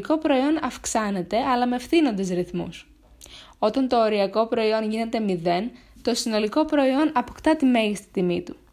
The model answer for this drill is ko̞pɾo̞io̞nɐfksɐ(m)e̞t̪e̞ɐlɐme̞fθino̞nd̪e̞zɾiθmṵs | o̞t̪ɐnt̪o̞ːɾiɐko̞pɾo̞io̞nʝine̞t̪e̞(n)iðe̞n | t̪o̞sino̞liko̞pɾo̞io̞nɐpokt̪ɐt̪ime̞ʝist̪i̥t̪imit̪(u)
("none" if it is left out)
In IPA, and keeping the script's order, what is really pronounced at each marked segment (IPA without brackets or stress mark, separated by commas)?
n, m, u